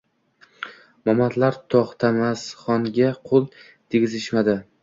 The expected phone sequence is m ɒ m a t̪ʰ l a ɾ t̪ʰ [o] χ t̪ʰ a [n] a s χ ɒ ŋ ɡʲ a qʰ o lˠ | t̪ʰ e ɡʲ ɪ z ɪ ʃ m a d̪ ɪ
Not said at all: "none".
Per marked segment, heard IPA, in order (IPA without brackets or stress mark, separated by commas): ɒ, m